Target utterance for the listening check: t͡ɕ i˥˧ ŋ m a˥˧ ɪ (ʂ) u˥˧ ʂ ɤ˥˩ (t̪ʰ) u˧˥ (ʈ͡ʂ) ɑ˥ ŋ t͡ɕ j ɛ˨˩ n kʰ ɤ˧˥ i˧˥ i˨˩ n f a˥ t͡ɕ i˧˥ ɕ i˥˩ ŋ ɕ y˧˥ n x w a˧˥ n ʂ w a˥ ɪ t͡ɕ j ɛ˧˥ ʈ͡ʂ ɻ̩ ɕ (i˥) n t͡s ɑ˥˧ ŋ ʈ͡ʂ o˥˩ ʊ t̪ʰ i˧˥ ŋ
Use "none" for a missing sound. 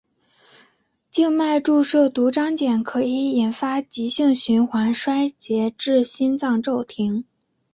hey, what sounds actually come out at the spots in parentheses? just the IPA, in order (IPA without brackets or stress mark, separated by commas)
ʈ͡ʂ, t̪, ʈ͡ʂ, i˥